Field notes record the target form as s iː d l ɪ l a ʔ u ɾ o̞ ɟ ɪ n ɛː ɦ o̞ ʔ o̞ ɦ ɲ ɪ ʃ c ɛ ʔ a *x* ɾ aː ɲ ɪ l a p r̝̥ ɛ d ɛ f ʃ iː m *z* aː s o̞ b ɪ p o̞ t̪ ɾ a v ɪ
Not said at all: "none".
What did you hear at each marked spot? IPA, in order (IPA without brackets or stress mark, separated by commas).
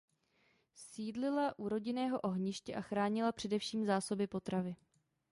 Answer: x, z